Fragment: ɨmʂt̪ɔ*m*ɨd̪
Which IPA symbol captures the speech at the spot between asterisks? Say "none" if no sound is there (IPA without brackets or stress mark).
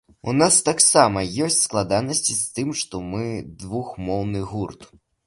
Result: m